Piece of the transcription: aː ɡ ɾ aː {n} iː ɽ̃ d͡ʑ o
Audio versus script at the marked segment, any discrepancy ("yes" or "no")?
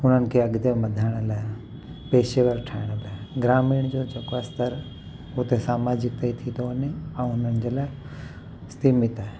yes